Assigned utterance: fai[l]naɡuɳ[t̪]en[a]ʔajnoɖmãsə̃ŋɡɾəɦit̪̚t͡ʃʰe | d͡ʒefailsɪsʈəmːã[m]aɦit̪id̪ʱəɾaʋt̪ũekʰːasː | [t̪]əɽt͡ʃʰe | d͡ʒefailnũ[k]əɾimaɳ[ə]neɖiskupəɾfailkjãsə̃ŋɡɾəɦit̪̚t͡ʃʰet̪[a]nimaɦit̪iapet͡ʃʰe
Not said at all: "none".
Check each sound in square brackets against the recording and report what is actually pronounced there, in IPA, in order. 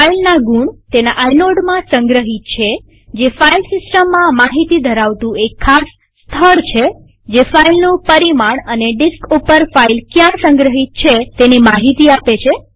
l, t̪, a, m, t̪ʰ, p, ə, e

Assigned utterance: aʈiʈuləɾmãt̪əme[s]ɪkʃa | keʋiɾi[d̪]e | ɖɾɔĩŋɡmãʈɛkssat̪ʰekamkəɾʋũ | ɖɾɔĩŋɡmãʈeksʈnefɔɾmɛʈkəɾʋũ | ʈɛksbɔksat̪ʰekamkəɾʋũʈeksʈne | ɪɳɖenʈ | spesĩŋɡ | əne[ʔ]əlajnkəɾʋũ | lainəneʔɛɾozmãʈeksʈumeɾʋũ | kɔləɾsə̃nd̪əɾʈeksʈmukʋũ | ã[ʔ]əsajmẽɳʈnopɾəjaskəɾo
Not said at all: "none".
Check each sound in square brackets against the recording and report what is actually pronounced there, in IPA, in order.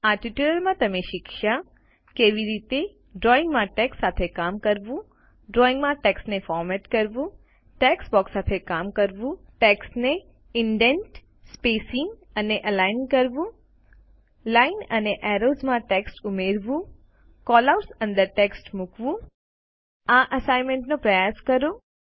ʃ, t̪, ʔ, ʔ

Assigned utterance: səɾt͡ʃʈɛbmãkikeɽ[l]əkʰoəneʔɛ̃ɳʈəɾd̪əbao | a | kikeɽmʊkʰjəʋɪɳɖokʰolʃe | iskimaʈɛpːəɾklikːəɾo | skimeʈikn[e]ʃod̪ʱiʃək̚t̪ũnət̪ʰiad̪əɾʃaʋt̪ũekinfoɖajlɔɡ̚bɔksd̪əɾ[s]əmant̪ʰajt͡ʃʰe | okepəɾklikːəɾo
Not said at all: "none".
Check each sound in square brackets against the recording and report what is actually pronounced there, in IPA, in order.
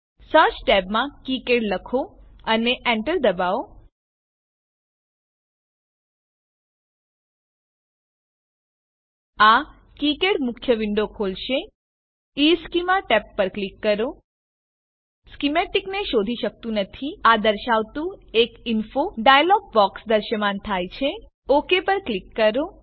l, e, ʃ

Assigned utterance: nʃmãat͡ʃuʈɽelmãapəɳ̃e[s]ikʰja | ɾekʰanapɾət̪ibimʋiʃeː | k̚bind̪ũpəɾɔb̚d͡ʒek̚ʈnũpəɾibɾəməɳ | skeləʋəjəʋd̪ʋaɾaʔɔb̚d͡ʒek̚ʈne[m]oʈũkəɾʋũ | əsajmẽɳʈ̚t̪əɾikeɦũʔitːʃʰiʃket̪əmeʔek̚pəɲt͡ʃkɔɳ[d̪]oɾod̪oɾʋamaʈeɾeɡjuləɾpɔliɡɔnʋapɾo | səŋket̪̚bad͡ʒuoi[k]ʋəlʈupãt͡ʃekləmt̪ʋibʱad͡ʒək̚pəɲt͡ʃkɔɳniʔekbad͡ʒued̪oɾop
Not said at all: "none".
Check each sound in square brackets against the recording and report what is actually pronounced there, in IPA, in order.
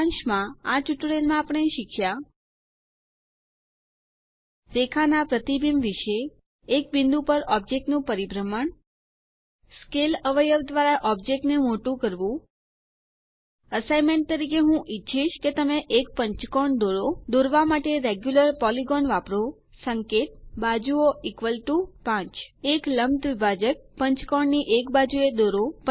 ʃ, m, d̪, k

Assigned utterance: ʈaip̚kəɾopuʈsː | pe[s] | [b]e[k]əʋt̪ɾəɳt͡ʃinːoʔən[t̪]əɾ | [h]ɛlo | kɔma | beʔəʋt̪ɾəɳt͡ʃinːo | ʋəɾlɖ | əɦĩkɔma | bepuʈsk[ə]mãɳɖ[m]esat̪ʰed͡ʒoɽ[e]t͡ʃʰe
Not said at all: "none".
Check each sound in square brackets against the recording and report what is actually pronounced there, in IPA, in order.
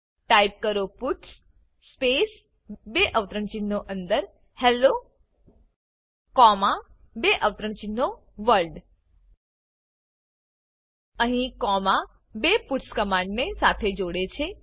s, b, ʔ, d̪, h, ə, n, e

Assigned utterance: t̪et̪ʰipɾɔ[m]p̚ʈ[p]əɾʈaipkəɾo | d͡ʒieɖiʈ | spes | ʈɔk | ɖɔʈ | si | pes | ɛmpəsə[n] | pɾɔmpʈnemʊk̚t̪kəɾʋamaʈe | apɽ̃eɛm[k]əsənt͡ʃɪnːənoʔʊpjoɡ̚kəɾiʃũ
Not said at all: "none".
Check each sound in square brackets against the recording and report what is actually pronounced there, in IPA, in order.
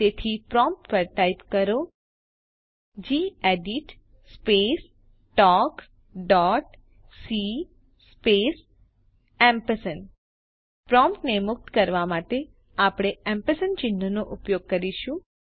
m, p, n, p

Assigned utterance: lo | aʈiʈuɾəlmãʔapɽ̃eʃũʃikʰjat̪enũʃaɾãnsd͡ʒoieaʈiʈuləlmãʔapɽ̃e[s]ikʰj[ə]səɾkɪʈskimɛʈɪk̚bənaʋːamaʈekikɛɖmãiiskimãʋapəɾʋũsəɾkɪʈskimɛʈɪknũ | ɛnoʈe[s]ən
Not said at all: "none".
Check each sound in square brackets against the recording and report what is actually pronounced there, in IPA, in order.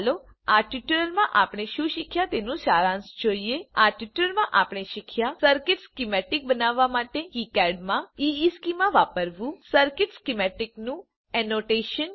ʃ, a, ʃ

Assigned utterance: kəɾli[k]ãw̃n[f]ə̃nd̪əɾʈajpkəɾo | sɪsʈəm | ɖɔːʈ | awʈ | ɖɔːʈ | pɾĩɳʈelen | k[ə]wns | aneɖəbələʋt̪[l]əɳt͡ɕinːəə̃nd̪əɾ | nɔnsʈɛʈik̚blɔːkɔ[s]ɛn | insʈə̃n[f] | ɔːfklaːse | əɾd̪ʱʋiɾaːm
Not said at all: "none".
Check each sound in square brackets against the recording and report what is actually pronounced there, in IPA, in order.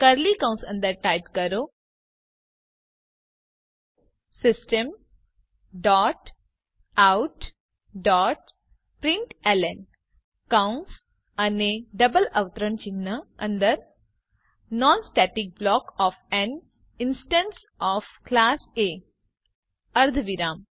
k, s, a, ɾ, f, s

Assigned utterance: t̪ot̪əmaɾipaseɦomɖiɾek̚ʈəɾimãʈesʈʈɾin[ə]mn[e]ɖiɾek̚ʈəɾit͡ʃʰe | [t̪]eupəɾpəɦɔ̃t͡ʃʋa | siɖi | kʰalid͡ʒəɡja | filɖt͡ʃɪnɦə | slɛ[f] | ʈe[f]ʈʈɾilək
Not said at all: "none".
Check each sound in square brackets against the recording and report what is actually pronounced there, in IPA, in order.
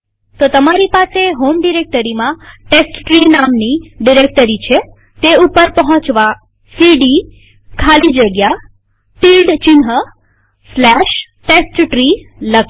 a, i, t̪, ʃ, s

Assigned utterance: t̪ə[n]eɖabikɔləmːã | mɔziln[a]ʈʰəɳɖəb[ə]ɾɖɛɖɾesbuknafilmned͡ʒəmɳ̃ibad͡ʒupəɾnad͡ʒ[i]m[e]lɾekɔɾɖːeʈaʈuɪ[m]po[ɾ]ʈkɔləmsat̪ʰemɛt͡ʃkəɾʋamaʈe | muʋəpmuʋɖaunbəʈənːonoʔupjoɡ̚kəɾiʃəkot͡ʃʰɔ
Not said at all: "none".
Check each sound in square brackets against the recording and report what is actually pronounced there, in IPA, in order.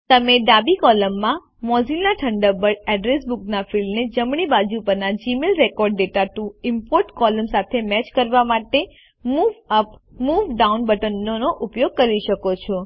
m, a, ə, i, e, m, ɾ

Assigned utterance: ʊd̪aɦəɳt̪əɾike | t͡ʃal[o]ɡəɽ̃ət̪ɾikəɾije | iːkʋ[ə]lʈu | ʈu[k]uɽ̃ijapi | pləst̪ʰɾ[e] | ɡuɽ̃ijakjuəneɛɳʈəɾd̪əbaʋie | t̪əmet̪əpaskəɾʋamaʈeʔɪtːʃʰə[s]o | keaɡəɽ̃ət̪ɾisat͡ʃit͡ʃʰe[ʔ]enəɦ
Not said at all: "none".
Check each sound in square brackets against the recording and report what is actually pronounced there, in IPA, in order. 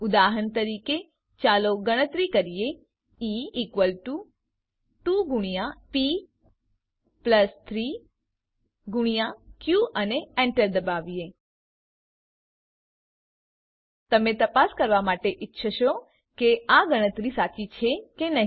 o, ə, ɡ, i, ʃ, k

